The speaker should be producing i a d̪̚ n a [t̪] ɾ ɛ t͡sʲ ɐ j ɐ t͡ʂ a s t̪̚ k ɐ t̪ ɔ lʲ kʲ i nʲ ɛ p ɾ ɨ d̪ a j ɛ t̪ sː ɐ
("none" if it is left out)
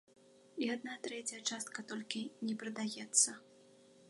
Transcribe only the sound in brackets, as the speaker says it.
t̪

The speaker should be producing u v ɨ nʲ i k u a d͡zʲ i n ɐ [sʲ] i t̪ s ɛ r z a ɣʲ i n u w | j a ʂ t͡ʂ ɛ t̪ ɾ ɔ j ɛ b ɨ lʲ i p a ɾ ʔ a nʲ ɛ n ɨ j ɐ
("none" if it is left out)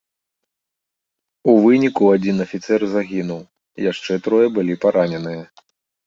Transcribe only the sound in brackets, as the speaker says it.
fʲ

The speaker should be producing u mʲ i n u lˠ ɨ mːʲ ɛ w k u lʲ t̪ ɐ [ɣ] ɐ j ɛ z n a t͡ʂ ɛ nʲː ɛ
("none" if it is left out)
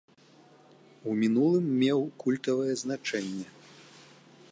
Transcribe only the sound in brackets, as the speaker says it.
v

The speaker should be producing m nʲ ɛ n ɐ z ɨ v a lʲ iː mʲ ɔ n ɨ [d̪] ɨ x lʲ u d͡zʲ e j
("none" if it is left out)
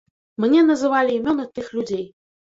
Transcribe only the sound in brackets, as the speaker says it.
t̪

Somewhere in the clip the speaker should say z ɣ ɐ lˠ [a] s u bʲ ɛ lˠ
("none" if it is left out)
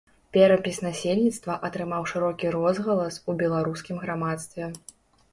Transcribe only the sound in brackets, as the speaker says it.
ɐ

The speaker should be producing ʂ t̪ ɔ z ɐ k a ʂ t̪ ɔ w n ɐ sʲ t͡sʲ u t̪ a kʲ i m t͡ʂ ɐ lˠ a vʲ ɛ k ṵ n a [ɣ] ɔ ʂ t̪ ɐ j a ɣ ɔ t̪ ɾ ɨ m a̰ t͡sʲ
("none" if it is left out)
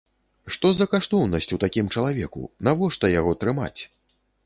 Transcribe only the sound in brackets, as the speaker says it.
v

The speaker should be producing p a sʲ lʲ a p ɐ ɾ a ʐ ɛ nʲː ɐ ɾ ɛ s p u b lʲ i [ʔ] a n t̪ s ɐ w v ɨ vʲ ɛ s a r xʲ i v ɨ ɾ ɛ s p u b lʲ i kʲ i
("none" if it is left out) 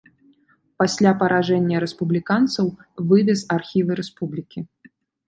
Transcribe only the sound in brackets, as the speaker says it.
k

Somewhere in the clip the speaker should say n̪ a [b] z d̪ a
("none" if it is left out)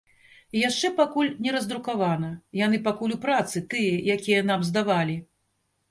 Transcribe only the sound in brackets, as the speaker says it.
m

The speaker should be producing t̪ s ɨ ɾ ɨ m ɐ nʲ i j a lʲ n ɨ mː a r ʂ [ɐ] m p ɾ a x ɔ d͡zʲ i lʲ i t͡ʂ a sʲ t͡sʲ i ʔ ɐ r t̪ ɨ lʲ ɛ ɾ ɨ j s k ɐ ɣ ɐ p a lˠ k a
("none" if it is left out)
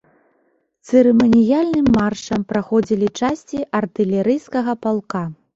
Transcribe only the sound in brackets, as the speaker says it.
ɐ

